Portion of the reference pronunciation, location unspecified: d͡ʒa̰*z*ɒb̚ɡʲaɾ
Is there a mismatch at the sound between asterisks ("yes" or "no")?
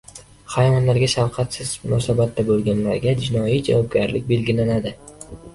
yes